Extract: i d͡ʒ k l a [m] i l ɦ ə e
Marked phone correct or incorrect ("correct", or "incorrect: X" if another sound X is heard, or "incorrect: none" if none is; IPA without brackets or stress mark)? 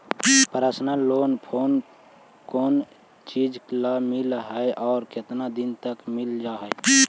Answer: correct